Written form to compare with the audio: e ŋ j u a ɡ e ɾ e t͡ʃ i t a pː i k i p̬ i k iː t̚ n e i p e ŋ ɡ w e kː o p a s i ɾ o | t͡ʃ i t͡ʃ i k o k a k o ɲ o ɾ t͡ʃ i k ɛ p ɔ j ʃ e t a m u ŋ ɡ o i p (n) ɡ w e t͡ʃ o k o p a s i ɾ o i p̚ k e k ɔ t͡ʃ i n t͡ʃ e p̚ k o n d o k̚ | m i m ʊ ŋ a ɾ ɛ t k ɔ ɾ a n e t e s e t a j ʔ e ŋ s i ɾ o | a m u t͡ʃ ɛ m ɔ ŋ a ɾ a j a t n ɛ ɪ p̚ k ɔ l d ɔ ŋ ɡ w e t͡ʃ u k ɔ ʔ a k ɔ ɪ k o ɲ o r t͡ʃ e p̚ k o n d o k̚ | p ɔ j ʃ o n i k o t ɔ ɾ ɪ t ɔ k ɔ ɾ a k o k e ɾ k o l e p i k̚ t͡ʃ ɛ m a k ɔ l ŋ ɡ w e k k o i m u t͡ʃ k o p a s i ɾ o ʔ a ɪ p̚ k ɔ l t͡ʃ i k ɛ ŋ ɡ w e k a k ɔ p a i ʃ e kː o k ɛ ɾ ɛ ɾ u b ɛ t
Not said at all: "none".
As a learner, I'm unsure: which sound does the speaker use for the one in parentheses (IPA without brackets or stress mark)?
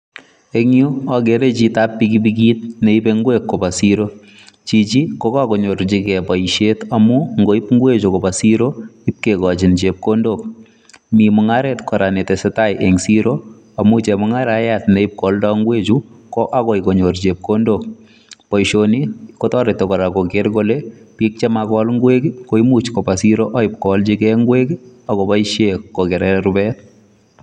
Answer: ŋ